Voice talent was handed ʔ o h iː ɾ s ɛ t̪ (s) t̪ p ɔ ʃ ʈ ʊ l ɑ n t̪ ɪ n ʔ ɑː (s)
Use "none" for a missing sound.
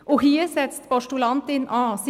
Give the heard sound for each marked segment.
s, s

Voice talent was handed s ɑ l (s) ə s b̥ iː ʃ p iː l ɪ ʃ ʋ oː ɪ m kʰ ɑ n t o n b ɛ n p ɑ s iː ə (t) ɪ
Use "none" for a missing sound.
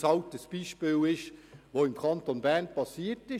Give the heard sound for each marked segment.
t, t

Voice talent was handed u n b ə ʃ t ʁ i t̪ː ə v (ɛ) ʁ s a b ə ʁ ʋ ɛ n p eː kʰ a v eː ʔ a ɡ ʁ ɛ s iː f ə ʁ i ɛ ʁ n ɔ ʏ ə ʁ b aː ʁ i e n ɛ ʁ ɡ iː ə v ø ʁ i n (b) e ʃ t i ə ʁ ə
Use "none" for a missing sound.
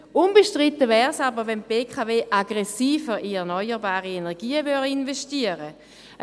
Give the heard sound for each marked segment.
ɛː, v

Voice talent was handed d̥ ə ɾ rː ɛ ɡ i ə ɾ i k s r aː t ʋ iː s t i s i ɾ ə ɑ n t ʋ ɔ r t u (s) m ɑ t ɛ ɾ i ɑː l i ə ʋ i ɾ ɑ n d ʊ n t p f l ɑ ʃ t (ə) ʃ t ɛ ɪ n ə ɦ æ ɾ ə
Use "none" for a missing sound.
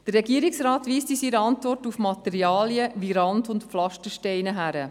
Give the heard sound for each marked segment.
f, ə

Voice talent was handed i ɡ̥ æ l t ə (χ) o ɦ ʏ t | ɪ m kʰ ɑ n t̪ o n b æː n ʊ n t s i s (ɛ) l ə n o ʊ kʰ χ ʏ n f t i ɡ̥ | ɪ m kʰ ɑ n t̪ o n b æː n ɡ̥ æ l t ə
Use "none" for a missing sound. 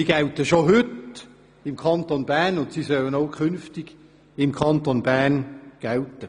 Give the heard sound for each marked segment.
ʃ, œ

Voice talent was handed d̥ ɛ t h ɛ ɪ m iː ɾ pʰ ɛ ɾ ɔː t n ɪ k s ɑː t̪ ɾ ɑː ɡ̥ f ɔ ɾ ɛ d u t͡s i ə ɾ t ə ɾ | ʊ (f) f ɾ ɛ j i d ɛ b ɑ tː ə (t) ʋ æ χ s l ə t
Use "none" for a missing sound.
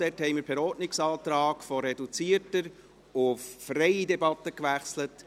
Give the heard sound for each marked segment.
f, k

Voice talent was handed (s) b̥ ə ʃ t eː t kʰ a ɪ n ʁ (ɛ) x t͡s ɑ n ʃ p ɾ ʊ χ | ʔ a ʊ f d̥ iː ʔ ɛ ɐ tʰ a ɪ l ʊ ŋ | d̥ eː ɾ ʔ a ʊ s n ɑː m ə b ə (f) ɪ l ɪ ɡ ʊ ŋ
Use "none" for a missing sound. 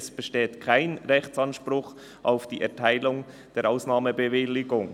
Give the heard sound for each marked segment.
s, ɛ, v

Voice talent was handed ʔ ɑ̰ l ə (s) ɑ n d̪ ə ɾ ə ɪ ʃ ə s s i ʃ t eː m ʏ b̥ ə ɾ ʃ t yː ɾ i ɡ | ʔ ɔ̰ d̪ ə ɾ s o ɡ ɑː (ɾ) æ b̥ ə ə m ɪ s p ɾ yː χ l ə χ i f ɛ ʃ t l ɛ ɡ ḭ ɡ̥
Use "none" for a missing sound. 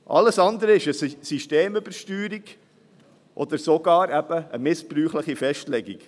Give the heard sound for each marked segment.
s, ɾ

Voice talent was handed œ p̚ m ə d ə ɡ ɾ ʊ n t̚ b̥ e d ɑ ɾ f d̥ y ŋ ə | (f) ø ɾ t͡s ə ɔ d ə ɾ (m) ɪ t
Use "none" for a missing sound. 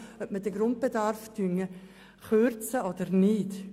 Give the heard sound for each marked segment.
χ, n

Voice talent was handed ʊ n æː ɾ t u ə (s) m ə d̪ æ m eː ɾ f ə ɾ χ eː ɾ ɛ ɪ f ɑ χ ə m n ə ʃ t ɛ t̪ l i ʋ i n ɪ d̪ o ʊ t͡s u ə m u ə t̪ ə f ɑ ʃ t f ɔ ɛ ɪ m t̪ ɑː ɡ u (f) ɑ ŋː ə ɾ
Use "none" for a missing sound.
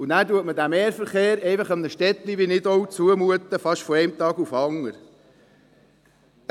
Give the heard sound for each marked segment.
t, f

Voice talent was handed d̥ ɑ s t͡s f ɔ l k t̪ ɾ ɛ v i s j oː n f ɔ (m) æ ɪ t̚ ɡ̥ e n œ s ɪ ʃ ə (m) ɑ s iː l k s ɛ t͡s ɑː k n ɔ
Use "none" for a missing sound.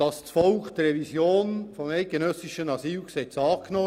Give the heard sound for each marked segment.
m, n

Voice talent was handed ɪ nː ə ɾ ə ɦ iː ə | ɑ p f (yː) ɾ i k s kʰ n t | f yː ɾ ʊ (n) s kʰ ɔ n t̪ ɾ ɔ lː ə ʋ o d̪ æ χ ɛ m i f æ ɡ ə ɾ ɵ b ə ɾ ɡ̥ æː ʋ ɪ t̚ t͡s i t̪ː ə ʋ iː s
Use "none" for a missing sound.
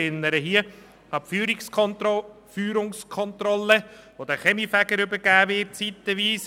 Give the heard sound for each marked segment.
yː, ŋ

